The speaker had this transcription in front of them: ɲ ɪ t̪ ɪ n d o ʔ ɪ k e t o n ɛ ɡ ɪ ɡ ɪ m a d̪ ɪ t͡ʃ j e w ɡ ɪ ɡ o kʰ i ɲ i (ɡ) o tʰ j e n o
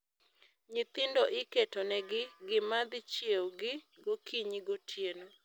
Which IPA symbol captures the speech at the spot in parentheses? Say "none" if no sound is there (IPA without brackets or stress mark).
ɡ